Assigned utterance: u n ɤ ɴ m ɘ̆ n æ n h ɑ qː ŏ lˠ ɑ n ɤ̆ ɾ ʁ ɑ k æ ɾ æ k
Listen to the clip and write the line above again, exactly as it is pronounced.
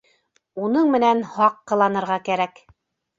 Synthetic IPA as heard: u n ɤ ɴ m ɘ̆ n æ n h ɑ qː ɤ̆ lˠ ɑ n ɤ̆ ɾ ʁ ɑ k æ ɾ æ k